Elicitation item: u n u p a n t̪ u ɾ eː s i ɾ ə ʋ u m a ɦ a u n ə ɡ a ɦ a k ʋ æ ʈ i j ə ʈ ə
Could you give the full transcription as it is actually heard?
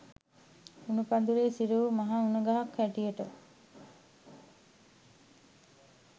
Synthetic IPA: u n u p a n d̪ u ɾ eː s i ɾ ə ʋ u m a ɦ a u n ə ɡ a ɦ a k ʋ æ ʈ i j ə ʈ ə